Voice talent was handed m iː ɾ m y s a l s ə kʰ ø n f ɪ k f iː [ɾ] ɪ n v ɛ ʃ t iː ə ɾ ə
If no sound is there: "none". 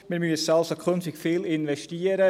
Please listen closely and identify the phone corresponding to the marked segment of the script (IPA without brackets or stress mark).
l